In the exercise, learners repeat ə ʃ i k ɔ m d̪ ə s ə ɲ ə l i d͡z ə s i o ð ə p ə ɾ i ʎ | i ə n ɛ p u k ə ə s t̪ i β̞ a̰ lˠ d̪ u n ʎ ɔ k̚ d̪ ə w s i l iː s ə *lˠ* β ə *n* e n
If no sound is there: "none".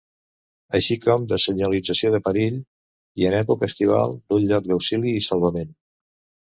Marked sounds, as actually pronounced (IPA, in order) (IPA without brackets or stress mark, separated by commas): lˠ, m